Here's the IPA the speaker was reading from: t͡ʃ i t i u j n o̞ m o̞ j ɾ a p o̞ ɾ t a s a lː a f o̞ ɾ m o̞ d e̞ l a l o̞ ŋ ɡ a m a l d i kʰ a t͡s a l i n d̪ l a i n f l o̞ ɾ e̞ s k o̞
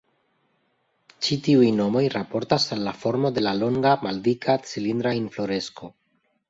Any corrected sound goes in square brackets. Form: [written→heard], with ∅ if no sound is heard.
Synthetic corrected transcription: t͡ʃ i t i u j n o̞ m o̞ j ɾ a p o̞ ɾ t a s a lː a f o̞ ɾ m o̞ d e̞ l a l o̞ ŋ ɡ a m a l d i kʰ a t͡s [a→i] l i n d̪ [l→ɾ] a i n f l o̞ ɾ e̞ s k o̞